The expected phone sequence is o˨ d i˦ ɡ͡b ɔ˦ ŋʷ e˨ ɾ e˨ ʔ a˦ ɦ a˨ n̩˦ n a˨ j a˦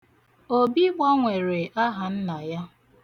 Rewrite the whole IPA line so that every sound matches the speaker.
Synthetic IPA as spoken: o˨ b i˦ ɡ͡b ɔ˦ ŋʷ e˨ ɾ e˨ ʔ a˦ ɦ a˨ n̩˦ n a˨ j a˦